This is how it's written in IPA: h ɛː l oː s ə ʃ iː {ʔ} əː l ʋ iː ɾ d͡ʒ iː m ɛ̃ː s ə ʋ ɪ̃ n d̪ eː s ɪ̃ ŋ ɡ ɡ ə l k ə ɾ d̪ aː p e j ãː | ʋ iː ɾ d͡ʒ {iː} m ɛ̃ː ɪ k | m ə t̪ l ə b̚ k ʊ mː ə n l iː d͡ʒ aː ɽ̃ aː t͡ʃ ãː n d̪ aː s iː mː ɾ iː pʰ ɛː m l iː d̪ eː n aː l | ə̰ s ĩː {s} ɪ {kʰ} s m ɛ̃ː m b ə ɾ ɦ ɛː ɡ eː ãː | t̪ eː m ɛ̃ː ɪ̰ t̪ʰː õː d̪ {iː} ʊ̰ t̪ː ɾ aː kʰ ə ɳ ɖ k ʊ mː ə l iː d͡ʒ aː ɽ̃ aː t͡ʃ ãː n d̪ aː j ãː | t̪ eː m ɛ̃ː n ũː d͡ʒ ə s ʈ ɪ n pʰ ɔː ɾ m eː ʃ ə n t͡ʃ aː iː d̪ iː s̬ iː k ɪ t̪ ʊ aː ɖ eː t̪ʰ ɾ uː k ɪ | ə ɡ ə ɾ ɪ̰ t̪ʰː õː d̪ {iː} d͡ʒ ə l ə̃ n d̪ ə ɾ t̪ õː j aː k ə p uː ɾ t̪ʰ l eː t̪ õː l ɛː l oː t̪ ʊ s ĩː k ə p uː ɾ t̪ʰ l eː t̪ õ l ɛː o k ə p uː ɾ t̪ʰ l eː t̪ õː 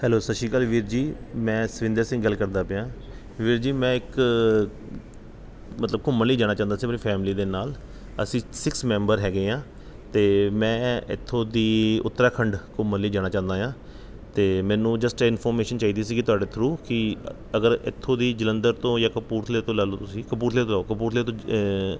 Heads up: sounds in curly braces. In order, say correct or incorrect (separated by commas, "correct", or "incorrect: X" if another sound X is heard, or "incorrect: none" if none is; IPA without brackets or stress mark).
incorrect: k, correct, correct, incorrect: k, correct, correct